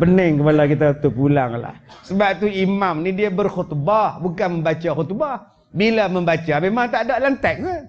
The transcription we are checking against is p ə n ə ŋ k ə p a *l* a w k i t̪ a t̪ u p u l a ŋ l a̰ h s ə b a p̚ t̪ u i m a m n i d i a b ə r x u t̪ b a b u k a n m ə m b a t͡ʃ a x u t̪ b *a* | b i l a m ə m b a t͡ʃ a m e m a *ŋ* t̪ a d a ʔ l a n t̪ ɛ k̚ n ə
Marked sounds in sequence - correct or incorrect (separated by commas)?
correct, correct, correct